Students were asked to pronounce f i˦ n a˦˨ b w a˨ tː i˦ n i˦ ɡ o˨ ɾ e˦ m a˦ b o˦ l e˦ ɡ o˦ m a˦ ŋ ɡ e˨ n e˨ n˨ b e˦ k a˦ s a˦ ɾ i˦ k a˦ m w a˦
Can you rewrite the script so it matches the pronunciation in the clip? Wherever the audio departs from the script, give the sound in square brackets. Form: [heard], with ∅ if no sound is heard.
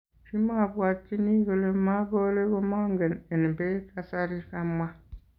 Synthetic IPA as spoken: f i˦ [m] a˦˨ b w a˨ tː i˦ n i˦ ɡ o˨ [l] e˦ m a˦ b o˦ l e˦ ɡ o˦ m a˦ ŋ ɡ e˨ n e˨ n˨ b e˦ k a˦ s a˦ ɾ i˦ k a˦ m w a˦